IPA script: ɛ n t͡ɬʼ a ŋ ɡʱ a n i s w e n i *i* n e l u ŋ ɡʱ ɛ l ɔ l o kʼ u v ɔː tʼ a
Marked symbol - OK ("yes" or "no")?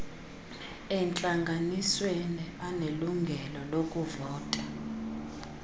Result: no